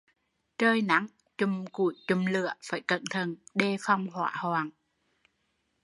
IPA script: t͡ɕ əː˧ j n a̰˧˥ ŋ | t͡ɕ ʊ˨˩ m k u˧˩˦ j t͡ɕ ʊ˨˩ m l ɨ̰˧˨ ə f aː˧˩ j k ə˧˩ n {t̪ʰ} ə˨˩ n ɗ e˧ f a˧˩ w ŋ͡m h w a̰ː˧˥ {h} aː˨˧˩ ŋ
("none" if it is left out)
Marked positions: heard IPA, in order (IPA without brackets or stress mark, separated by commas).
t̪ʰ, h